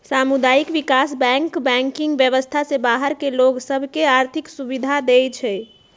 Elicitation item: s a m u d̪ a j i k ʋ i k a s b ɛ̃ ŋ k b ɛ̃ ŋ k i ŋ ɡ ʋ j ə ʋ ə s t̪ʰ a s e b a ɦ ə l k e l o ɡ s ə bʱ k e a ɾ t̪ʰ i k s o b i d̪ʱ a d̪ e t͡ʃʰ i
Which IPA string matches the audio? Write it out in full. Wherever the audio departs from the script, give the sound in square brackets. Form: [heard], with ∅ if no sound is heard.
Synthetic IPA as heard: s a m u d̪ a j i k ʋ i k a s b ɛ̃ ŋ k b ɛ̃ ŋ k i ŋ ɡ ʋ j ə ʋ ə s t̪ʰ a s e b a ɦ ə [ɾ] k e l o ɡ s ə bʱ k e a ɾ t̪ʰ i k s [u] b i d̪ʱ a d̪ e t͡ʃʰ [ɛ]